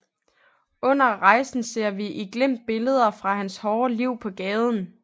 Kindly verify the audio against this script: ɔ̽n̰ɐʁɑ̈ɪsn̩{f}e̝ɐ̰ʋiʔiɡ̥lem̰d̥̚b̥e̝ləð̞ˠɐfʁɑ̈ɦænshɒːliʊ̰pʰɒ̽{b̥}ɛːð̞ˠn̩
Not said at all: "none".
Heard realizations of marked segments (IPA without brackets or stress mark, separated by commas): s, ɡ̥